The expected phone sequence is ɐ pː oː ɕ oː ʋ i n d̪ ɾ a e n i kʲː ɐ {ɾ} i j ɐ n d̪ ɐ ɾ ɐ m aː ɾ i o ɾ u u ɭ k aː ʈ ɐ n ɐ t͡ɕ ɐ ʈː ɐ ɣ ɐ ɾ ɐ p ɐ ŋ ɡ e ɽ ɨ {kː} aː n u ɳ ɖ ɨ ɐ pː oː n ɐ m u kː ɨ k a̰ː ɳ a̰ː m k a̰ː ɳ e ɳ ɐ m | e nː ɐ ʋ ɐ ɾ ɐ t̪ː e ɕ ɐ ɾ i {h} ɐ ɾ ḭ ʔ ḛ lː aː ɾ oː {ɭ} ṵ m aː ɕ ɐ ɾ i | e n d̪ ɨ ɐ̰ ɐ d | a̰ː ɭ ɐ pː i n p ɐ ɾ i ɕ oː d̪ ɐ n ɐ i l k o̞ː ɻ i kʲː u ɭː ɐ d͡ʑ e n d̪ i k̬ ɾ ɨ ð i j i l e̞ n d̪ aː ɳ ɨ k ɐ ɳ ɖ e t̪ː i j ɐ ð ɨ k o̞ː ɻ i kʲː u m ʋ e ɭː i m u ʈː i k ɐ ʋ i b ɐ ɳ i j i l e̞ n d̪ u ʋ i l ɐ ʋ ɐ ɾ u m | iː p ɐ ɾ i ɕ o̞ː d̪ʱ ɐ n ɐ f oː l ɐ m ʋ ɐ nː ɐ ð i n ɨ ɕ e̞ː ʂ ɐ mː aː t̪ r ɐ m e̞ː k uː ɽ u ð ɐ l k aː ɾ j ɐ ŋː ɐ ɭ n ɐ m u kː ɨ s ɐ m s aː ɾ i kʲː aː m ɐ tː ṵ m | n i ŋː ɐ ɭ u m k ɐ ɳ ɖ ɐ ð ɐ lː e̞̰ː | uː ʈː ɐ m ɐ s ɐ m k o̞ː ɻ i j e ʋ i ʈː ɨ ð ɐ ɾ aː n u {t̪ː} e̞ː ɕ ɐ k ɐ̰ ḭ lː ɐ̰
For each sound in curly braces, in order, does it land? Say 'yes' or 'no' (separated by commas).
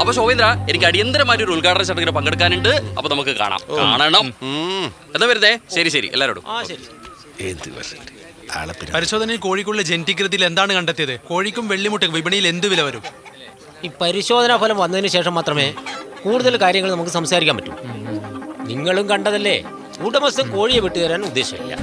no, yes, no, no, no